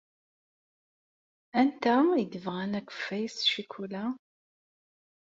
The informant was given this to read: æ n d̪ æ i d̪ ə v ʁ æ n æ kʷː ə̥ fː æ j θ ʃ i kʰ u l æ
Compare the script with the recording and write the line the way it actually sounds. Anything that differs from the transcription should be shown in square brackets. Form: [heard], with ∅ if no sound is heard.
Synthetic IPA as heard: æ n [t̪] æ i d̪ ə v ʁ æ n æ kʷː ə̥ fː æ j [s] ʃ i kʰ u l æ